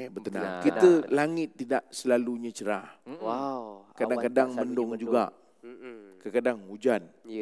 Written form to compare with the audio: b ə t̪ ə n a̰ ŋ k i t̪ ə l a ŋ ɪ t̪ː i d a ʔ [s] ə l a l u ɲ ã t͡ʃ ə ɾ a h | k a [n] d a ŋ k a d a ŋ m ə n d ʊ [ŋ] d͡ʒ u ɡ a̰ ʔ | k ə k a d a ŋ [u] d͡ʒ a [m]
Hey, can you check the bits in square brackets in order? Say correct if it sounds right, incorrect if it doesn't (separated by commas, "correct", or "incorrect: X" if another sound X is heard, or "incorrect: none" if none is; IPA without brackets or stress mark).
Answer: correct, incorrect: none, correct, correct, incorrect: n